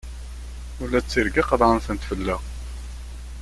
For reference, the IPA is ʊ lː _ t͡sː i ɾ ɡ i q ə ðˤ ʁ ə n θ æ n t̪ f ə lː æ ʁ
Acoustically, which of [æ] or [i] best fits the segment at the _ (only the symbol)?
æ